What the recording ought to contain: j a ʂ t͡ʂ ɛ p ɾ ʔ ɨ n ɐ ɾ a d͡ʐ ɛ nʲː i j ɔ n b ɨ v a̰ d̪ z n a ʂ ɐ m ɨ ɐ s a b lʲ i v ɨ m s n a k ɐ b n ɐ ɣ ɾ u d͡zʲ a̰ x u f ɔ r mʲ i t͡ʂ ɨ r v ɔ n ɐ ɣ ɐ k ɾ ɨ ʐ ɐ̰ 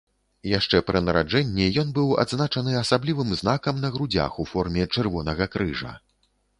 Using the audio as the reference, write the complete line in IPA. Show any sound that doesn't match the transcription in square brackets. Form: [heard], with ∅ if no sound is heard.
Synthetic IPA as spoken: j a ʂ t͡ʂ ɛ p ɾ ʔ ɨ n ɐ ɾ a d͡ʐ ɛ nʲː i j ɔ n b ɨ [w] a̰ d̪ z n a [t͡ʂ] ɐ [n] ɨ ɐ s a b lʲ i v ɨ m [z] n a k ɐ [m] n ɐ ɣ ɾ u d͡zʲ a̰ x u f ɔ r mʲ [ɛ] t͡ʂ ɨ r v ɔ n ɐ ɣ ɐ k ɾ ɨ ʐ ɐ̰